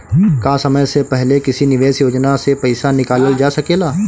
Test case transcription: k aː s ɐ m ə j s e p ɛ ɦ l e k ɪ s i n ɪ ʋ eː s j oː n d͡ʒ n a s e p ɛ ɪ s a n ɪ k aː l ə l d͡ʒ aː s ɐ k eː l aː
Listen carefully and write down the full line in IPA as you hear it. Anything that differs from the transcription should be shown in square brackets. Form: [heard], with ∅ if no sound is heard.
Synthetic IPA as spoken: k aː s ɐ m ə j s e p ɛ ɦ l e k ɪ s i n ɪ ʋ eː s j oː [∅] d͡ʒ n a s e p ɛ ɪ s a n ɪ k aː l ə l d͡ʒ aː s ɐ k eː l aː